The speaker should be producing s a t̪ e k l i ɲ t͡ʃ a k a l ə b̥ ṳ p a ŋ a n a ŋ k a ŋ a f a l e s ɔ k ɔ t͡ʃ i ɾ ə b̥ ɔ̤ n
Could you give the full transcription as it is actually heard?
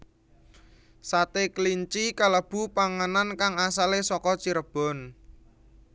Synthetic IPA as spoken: s a t̪ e k l i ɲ t͡ʃ i k a l ə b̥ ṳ p a ŋ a n a n k a ŋ a s a l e s ɔ k ɔ t͡ʃ i ɾ ə b̥ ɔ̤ n